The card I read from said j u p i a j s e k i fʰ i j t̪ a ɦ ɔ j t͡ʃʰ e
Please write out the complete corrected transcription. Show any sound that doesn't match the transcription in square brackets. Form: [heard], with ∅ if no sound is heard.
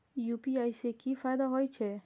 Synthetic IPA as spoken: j u p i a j s e k i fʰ [a] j [d̪] a ɦ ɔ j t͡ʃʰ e